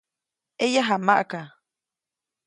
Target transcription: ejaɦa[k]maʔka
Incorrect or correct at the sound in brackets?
incorrect: none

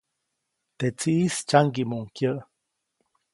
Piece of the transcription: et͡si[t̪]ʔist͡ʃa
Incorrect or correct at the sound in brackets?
incorrect: none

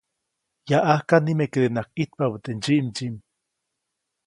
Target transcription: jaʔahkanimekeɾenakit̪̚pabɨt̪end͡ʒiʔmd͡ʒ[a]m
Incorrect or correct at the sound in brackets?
incorrect: i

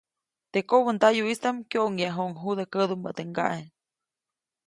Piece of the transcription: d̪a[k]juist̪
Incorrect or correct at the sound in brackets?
incorrect: none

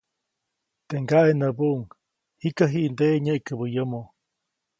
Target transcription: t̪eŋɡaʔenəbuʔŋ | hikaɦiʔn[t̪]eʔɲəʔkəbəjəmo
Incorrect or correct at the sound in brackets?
incorrect: d̪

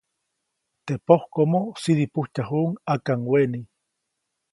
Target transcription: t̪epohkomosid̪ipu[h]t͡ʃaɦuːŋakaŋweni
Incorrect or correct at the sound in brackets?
correct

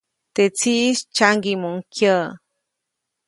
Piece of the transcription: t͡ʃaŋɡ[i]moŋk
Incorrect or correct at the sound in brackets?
correct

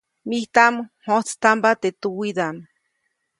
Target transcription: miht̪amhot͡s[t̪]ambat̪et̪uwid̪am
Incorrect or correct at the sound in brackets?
correct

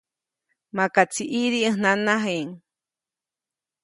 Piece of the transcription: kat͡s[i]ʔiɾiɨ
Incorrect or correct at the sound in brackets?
correct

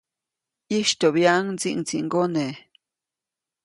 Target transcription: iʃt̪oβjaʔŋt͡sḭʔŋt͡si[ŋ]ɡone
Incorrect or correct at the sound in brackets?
correct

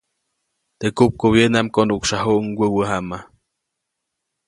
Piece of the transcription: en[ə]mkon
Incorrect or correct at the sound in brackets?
incorrect: a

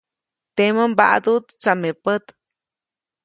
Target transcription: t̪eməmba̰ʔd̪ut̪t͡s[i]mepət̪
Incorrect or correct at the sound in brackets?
incorrect: a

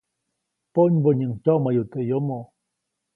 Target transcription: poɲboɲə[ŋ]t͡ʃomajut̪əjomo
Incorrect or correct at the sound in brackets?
correct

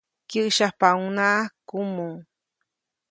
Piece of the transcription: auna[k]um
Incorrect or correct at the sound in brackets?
correct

